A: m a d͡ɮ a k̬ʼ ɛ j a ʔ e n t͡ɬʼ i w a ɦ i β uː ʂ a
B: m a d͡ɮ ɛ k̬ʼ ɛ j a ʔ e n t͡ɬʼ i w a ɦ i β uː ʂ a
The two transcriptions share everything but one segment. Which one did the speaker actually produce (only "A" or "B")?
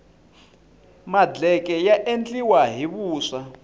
B